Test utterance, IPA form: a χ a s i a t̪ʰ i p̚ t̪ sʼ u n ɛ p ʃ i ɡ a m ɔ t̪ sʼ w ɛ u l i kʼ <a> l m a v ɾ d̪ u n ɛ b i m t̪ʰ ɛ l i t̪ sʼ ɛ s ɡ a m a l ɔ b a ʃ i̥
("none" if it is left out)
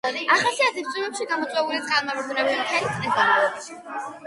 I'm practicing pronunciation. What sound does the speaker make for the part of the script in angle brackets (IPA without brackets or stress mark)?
a